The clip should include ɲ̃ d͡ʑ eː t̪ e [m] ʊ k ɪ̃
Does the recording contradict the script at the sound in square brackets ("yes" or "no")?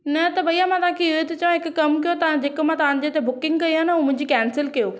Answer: yes